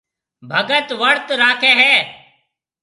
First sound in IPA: bʱ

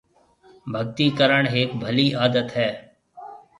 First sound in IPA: bʱ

